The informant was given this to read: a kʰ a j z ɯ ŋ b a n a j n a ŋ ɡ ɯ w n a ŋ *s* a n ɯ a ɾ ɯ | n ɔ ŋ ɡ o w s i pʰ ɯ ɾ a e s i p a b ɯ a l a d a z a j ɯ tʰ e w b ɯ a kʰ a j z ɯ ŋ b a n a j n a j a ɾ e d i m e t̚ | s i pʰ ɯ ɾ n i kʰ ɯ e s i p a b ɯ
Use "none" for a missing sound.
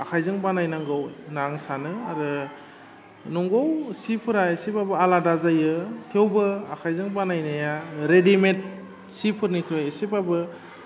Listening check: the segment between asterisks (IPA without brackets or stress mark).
s